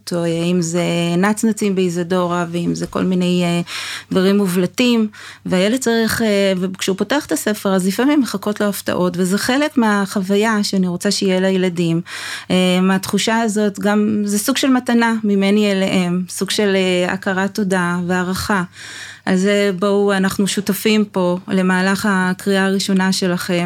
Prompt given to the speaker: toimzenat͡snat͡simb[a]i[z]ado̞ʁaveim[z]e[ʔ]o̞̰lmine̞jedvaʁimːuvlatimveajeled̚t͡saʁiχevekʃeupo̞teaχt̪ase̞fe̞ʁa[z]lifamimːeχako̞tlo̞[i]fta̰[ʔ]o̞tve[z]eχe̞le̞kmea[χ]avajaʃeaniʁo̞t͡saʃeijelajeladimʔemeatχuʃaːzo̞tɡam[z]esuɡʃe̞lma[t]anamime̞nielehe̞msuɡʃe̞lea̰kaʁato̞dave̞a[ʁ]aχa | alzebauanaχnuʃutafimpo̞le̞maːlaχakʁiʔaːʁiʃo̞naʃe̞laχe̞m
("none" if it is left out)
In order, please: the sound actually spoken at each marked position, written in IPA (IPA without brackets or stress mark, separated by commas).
e, z, z, k, z, a, ʔ, z, χ, z, t, ʁ